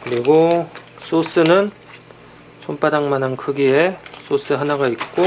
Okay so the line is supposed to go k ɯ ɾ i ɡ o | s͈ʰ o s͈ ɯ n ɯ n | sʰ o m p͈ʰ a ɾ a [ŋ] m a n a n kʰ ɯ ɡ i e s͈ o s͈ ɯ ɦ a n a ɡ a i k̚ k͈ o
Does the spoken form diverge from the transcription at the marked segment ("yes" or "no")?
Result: no